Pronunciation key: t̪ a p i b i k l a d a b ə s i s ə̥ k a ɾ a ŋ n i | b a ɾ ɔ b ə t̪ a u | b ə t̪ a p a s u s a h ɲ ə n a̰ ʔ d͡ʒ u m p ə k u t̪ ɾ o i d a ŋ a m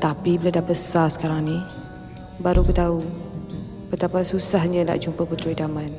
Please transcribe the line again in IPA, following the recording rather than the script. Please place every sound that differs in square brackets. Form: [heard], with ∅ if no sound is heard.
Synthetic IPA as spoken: t̪ a p i b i [∅] l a d a b ə s [a] s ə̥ k a ɾ a ŋ n i | b a ɾ [u] b ə t̪ a u | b ə t̪ a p a s u s a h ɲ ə n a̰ ʔ d͡ʒ u m p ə [p] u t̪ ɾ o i d a [m] a [n]